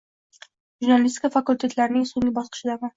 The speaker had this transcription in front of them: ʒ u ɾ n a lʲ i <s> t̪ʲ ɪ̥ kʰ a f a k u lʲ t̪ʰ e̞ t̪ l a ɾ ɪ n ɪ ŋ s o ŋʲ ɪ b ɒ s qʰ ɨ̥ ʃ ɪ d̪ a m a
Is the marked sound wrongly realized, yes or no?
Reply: no